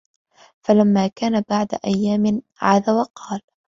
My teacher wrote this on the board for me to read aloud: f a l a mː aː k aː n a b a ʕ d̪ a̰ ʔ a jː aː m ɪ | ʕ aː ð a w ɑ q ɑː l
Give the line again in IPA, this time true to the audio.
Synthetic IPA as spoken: f a l a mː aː k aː n a b a ʕ d̪ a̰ ʔ a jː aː m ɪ | ʕ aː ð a w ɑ q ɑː l